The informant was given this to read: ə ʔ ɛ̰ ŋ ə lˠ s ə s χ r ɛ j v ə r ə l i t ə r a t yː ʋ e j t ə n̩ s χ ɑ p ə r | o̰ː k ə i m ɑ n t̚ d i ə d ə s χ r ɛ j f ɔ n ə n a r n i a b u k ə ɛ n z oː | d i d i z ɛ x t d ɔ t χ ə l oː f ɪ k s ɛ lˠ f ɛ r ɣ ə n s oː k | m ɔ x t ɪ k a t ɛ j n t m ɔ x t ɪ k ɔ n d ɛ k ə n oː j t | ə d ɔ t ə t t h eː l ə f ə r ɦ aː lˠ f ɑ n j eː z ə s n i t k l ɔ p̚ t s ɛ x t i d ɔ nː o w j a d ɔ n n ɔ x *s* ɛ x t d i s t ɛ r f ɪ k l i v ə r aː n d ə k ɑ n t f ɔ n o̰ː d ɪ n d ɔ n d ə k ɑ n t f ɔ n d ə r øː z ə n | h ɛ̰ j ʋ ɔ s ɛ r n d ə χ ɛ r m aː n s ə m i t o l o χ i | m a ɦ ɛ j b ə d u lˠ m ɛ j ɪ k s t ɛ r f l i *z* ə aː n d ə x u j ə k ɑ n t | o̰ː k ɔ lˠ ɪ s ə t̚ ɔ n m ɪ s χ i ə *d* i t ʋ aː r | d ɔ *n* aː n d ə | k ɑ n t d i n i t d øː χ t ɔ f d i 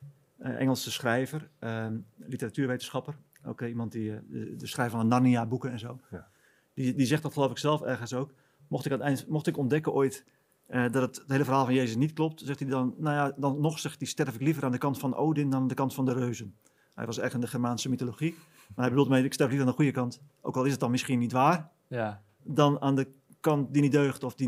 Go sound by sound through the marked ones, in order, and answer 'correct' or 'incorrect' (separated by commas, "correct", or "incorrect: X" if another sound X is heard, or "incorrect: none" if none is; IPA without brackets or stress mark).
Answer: correct, incorrect: v, incorrect: n, correct